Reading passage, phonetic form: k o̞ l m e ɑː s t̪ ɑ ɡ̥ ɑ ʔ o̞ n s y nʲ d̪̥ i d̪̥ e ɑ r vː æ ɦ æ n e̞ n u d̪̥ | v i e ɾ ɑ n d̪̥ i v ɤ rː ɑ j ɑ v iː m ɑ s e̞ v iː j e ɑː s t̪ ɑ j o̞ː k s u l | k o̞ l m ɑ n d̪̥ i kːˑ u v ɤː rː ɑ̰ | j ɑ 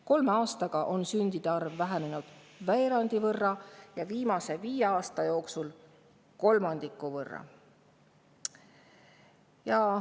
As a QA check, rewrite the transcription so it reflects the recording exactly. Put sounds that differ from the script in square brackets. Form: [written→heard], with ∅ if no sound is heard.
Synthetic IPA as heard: k o̞ l m e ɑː s t̪ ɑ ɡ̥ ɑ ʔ o̞ n s y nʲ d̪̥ i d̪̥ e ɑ r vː æ ɦ æ n e̞ n u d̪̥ | v [i→æ] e ɾ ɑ n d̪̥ i v ɤ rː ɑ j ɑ v iː m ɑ s e̞ v iː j e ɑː s t̪ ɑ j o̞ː k s u l | k o̞ l m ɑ n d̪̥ i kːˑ u v [ɤː→ɤ] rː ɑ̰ | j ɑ